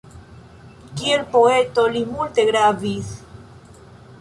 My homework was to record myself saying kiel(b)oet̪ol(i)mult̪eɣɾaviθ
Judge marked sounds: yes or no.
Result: no, yes

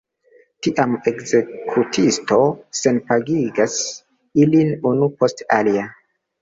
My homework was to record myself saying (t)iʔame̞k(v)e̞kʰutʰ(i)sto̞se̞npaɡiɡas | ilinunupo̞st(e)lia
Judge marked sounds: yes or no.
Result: yes, no, yes, no

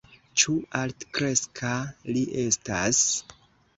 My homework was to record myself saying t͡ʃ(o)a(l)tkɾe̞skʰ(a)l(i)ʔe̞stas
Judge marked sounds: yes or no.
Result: no, yes, yes, yes

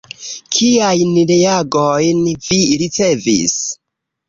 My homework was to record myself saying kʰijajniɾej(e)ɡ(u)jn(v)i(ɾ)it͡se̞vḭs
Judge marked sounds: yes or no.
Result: no, no, yes, yes

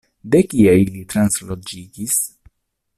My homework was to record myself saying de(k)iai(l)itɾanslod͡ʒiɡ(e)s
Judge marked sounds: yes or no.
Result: yes, yes, no

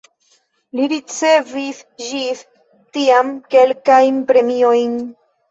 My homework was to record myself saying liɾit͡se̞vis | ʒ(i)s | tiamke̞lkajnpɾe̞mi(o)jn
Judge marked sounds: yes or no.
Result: yes, yes

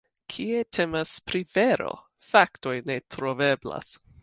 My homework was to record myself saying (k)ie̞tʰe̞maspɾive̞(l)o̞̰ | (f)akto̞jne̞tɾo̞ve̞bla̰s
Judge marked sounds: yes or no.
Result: no, no, yes

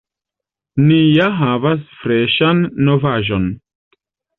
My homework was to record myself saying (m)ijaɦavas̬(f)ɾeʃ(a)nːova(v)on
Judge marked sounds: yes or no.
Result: no, yes, yes, no

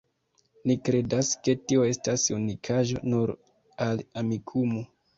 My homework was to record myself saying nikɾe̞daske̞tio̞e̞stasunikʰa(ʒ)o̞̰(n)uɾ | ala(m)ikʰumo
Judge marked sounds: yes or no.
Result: yes, yes, yes

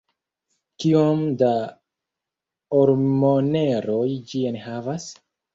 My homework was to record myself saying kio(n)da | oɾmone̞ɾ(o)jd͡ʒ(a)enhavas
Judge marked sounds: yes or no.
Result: no, yes, no

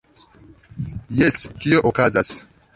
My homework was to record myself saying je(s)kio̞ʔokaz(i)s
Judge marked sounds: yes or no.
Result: yes, no

